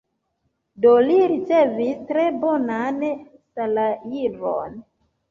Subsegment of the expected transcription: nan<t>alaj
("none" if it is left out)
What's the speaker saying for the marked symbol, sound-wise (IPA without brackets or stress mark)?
s